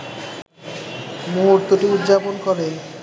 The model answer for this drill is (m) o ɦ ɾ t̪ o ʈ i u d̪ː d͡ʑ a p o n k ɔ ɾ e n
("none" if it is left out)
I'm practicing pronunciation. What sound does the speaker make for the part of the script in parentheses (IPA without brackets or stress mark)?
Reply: m